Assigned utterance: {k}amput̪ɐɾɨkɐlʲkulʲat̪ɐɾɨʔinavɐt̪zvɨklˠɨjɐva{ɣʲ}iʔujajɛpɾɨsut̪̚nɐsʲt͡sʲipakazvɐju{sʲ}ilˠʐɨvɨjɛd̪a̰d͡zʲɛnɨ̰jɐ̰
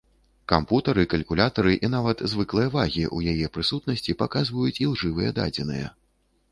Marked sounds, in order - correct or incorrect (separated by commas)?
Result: correct, correct, incorrect